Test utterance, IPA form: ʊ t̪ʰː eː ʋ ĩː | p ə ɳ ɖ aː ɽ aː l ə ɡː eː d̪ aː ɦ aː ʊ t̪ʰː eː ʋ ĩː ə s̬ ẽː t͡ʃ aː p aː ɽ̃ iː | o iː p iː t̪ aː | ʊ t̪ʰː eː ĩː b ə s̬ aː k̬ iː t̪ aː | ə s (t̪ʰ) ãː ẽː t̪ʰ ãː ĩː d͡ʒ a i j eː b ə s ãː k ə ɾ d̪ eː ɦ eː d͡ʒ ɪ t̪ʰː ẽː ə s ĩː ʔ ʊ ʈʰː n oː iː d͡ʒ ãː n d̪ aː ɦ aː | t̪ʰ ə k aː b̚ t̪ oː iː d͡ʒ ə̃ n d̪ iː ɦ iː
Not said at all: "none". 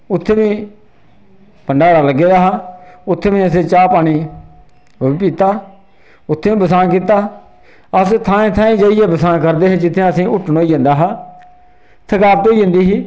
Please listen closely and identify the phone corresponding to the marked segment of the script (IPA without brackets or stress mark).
t̪ʰ